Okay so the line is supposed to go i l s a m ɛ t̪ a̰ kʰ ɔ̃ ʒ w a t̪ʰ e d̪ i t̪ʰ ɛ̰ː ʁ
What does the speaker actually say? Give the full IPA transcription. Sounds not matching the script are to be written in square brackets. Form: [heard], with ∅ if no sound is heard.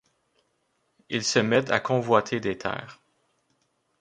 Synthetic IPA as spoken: i l s [ə] m ɛ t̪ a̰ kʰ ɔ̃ [v] w a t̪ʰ e d̪ [e] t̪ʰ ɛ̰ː ʁ